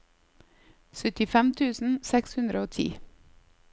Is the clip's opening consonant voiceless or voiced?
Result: voiceless